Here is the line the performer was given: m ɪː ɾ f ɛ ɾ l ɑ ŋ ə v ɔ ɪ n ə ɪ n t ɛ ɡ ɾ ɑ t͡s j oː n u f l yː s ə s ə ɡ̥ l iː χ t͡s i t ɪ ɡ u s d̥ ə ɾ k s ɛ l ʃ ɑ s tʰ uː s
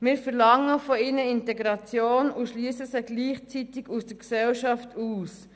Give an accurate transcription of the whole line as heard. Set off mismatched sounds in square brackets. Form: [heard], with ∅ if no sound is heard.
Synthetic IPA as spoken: m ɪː ɾ f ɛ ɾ l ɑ ŋ ə [f] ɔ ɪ n ə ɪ n t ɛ ɡ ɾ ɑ t͡s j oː n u [ʃ] l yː s ə s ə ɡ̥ l iː χ t͡s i t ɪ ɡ u s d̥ ə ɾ k s ɛ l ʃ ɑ [f] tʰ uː s